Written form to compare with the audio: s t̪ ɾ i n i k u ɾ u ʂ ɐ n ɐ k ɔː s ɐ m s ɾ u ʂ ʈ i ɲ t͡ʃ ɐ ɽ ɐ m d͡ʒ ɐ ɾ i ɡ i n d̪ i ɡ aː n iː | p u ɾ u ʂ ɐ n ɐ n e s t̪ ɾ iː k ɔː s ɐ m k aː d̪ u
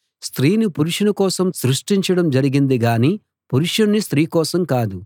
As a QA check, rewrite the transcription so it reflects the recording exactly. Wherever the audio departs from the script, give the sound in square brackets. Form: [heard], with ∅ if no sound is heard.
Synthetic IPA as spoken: s t̪ ɾ [iː] n i [p] u ɾ u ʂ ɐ n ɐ k ɔː s ɐ m s ɾ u ʂ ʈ i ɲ t͡ʃ ɐ ɽ ɐ m d͡ʒ ɐ ɾ i ɡ i n d̪ i ɡ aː n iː | p u ɾ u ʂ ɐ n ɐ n [i] s t̪ ɾ iː k ɔː s ɐ m k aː d̪ u